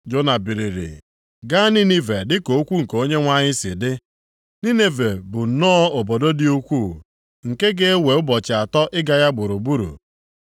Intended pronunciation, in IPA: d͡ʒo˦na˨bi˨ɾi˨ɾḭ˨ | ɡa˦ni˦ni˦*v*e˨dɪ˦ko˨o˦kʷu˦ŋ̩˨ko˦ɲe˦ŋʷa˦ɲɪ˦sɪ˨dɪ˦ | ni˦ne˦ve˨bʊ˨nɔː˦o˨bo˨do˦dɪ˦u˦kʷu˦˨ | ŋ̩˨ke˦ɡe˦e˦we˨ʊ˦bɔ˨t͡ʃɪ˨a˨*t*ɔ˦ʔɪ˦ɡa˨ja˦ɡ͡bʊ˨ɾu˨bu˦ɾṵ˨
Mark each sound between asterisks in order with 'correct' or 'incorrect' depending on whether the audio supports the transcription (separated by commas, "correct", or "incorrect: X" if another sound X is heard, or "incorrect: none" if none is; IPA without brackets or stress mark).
correct, correct